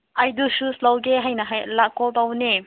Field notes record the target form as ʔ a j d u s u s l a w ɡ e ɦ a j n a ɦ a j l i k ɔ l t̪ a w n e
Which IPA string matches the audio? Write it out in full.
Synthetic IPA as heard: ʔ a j d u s u s l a w ɡ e ɦ a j n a ɦ a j l a k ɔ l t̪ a w n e